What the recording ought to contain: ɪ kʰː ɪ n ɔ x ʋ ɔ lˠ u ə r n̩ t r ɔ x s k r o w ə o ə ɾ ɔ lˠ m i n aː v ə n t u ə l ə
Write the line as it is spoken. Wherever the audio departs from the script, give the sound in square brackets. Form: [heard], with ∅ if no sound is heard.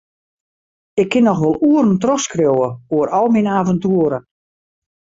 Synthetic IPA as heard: ɪ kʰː ɪ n ɔ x ʋ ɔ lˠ u ə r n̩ t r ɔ x s k r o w ə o ə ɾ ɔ lˠ m i n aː v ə n t u ə [ɾ] ə